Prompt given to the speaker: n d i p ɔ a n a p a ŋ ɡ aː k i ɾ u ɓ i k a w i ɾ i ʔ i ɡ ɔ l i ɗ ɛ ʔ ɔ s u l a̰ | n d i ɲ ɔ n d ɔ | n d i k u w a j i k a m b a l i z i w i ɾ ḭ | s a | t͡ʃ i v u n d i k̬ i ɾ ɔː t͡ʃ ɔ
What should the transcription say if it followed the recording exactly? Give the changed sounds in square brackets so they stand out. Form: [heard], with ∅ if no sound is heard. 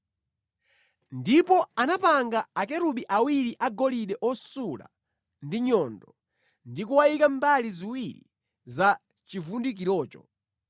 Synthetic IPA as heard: n d i p ɔ a n a p a ŋ ɡ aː k [ɛ] ɾ u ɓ i [ʔ] a w i ɾ i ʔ [a] ɡ ɔ l i ɗ ɛ ʔ ɔ s u l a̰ | n d i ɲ ɔ n d ɔ | n d i k u w a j i k a m b a l i z i w i ɾ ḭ | [z] a | t͡ʃ i v u n d i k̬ i ɾ ɔː t͡ʃ ɔ

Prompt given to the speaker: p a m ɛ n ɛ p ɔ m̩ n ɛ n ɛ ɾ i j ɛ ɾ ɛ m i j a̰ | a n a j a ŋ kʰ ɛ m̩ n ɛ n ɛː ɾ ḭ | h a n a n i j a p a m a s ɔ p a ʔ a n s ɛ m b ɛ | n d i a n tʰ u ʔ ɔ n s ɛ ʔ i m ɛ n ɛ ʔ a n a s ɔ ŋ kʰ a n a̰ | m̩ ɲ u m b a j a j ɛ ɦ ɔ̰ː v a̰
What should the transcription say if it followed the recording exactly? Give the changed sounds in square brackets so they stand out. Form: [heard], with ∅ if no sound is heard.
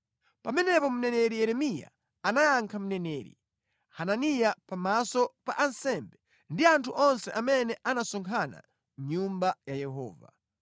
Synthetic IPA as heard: p a m ɛ n ɛ p ɔ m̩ n ɛ n ɛ ɾ i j ɛ ɾ ɛ m i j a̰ | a n a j a ŋ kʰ [a] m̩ n ɛ n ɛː ɾ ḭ | h a n a n i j a p a m a s ɔ p a ʔ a n s ɛ m b ɛ | n d i a n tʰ u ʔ ɔ n s ɛ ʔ [a] m ɛ n ɛ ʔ a n a s ɔ ŋ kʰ a n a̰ | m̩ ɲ u m b a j a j ɛ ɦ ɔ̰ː v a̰

